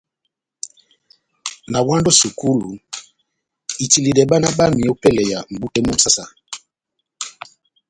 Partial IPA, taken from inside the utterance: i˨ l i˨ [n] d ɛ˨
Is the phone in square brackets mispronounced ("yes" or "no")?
yes